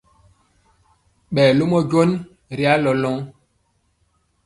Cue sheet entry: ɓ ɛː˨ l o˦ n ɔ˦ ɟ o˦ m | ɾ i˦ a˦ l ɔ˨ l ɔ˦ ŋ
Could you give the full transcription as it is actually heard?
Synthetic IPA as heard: ɓ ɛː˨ l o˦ m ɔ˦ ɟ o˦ n | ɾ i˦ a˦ l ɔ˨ l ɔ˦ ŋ

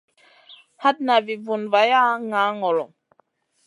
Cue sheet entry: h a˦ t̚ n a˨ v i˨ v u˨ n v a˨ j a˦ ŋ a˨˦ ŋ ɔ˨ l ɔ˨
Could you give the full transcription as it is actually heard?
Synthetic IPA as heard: h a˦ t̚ n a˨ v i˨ v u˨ n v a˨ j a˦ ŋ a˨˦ ŋ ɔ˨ l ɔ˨

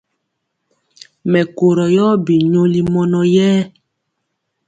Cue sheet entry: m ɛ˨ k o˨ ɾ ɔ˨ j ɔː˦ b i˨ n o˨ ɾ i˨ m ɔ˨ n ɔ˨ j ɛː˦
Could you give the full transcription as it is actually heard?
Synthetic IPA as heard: m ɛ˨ k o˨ ɾ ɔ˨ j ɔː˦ b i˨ ɲ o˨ l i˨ m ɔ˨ n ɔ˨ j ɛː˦

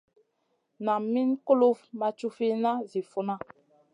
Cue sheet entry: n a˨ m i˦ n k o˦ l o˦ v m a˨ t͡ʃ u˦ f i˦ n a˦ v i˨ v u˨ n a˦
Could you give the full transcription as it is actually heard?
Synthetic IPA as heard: n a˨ m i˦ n k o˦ l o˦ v m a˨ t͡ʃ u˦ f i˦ n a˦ z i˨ f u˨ n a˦

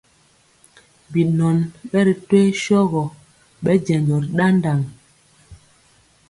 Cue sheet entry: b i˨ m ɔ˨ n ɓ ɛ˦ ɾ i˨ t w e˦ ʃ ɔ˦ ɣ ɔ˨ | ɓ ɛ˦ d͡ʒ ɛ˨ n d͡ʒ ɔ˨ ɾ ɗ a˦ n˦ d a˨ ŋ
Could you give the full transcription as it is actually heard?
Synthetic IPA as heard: b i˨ n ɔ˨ n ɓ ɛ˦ ɾ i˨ t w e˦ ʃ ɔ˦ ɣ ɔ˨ | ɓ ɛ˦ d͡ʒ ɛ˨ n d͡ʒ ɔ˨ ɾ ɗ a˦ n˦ d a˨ ŋ

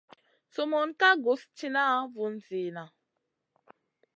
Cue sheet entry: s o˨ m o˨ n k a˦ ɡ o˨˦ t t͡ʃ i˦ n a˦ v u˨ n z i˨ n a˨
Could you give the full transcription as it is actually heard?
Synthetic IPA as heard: s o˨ m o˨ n k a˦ ɡ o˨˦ s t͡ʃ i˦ n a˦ v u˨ n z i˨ n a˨

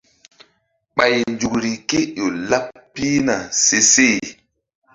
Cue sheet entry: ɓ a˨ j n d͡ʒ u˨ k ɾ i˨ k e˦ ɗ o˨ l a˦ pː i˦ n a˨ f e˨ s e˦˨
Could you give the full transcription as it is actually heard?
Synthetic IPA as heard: ɓ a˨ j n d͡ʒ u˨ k ɾ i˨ k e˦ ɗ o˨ l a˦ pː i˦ n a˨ s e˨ s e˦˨

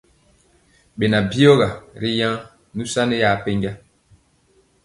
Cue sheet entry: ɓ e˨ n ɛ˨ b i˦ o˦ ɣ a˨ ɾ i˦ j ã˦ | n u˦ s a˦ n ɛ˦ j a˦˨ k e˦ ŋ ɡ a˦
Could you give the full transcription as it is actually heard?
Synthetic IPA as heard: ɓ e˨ n a˨ b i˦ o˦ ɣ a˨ ɾ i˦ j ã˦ | n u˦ s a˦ n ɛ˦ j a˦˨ p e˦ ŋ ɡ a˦

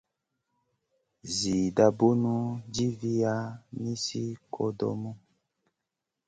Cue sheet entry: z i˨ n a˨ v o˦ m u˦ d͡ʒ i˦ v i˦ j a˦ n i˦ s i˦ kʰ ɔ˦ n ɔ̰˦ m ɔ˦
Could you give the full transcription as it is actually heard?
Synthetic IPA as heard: z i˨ d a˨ b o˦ n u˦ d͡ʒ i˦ v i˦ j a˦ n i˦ s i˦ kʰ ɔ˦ d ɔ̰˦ m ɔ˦

